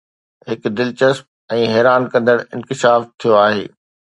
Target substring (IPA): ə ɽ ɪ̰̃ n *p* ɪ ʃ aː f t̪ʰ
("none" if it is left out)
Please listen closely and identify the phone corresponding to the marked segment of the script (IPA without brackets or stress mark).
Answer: k